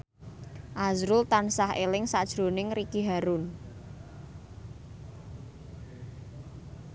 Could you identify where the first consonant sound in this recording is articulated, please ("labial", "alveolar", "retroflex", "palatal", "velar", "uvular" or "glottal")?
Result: glottal